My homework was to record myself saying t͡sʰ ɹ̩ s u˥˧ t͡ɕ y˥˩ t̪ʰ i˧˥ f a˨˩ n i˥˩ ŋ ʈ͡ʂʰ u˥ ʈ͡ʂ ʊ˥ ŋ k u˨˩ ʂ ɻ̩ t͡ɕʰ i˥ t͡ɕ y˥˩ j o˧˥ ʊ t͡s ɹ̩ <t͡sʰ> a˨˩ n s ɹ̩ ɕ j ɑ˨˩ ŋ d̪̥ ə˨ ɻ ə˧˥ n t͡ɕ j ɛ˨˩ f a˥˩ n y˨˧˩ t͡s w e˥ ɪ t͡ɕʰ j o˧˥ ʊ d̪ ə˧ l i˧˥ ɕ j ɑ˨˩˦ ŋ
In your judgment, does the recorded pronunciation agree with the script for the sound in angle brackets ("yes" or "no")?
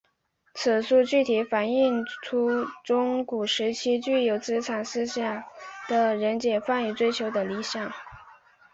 yes